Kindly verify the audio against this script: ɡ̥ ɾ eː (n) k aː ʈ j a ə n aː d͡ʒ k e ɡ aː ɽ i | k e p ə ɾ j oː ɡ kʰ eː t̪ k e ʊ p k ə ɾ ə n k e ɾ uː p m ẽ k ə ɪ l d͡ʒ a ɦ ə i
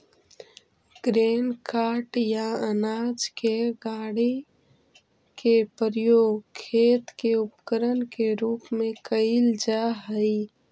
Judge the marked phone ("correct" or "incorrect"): correct